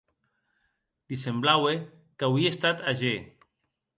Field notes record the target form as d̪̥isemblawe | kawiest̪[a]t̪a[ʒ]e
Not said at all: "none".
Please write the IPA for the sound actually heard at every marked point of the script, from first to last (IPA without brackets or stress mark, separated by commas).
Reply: a, ʒ